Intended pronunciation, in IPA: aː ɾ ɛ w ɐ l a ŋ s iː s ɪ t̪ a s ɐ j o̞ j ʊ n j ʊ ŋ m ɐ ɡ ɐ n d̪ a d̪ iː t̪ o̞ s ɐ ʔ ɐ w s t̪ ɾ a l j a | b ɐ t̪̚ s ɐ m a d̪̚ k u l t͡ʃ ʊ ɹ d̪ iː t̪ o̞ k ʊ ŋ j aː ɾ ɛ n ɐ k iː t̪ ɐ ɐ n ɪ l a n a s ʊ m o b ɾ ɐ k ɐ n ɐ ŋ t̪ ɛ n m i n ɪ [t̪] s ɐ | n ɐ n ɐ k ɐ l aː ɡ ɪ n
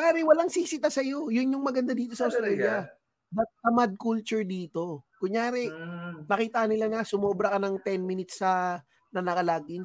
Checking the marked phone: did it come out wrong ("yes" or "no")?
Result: no